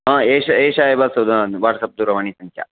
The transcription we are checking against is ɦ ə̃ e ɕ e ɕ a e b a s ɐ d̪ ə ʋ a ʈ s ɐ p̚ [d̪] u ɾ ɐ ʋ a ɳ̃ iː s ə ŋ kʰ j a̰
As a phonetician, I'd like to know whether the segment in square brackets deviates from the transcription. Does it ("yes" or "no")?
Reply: no